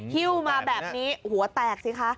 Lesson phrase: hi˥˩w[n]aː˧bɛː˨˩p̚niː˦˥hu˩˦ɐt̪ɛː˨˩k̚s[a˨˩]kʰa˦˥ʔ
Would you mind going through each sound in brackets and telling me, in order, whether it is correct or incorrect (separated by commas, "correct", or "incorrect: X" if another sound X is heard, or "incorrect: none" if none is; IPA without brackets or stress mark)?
incorrect: m, incorrect: i˨˩